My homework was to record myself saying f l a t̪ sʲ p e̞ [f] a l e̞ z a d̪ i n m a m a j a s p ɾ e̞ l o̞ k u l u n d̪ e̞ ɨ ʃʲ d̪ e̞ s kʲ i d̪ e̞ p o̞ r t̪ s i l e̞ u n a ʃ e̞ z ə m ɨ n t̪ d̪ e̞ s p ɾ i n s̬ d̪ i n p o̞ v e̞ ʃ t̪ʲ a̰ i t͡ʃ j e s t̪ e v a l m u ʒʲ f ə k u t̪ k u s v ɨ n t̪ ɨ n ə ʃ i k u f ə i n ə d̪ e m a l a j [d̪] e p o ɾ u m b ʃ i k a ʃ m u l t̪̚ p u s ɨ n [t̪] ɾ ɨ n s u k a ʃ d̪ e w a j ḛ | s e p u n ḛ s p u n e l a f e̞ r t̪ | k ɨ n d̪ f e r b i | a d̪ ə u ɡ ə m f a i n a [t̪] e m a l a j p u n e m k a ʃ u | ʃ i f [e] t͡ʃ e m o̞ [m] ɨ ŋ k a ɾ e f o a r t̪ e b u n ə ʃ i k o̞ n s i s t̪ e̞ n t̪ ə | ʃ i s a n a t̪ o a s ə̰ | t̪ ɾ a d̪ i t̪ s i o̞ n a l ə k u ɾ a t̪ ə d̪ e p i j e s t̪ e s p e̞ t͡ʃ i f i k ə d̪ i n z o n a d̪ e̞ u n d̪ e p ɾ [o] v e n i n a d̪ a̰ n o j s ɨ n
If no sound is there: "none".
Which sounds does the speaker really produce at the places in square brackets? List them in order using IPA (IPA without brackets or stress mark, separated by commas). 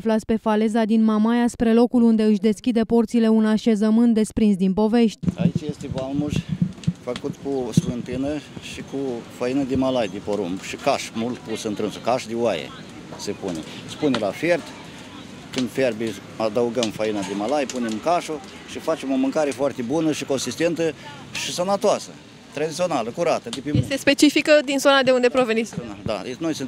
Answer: f, d̪, t̪, d̪, a, m, o